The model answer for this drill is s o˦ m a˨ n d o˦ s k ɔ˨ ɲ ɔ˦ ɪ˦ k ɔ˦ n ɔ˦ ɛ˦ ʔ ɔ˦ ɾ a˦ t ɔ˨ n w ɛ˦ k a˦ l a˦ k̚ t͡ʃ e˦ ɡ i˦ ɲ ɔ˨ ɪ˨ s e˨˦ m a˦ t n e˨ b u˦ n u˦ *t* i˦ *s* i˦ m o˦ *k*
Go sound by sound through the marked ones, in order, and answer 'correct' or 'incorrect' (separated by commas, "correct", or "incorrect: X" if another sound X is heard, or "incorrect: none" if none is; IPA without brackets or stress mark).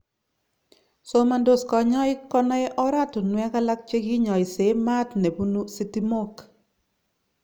incorrect: s, incorrect: t, correct